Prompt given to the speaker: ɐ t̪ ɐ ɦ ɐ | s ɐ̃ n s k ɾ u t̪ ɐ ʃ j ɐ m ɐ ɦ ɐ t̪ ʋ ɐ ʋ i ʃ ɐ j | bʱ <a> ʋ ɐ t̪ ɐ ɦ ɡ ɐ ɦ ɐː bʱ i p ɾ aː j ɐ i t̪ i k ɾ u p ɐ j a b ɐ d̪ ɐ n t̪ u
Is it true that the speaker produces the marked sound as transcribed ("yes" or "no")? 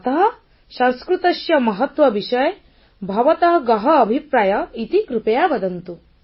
no